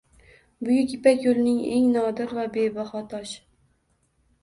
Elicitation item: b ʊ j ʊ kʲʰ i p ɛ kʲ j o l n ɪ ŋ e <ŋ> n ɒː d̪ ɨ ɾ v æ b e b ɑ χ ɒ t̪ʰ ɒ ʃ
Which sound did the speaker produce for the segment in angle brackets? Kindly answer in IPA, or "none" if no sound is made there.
ŋ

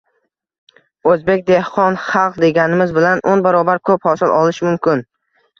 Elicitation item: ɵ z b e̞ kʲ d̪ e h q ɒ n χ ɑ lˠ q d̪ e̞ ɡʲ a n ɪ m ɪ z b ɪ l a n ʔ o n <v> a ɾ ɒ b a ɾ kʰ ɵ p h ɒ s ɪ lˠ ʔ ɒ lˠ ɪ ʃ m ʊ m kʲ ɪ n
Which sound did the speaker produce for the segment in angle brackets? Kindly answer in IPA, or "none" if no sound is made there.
b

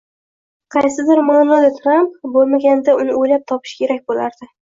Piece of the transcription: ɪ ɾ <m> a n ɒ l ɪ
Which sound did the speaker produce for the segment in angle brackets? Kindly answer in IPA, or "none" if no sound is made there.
m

